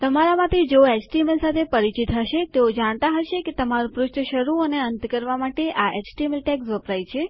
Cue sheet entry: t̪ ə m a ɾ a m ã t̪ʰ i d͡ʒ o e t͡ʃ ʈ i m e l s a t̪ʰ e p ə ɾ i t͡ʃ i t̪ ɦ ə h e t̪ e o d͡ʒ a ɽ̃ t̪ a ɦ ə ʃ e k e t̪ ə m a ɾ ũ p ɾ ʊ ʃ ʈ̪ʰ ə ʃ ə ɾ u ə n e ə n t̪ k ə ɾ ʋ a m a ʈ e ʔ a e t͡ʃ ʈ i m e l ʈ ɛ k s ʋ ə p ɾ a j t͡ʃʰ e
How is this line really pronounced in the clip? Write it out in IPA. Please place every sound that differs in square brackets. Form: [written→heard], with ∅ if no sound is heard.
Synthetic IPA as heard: t̪ ə m a ɾ a m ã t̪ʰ i d͡ʒ o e t͡ʃ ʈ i m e l s a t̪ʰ e p ə ɾ i t͡ʃ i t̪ ɦ ə [h→ʃ] e t̪ e o d͡ʒ a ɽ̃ t̪ a ɦ ə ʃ e k e t̪ ə m a ɾ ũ p ɾ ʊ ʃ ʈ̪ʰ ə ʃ ə ɾ u ə n e ə n t̪ k ə ɾ ʋ a m a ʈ e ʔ a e t͡ʃ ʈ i m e l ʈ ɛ k s ʋ ə p ɾ a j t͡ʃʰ e